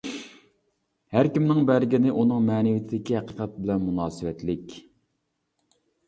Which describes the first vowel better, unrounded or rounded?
unrounded